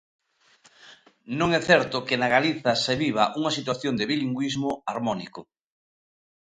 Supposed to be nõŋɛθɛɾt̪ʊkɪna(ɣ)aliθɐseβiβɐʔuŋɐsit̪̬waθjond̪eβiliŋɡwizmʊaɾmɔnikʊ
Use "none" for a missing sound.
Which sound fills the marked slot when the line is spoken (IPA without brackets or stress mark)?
ɣ